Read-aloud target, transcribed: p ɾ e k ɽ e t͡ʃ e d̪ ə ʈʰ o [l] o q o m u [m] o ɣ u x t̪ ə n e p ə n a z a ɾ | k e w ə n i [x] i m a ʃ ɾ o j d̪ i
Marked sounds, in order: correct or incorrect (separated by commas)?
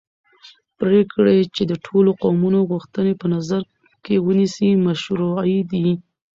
correct, incorrect, incorrect